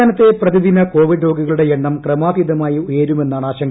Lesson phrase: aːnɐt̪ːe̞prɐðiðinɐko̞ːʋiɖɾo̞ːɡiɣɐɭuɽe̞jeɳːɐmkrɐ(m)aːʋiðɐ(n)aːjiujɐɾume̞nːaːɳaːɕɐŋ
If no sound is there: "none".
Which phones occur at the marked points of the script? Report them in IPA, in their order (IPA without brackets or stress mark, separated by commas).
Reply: m, m